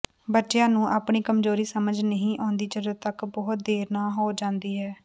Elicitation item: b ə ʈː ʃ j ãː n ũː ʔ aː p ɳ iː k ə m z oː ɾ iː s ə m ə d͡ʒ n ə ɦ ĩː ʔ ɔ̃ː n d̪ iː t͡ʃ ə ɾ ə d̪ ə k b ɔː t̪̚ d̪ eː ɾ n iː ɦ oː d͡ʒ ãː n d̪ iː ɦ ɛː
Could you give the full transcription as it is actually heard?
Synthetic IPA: b ə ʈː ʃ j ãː n ũː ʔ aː p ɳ iː k ə m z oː ɾ iː s ə m ə d͡ʒ n ə ɦ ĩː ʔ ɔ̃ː n d̪ iː t͡ʃ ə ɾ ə t̪ ə k b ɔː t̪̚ d̪ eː ɾ n aː ɦ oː d͡ʒ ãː n d̪ iː ɦ ɛː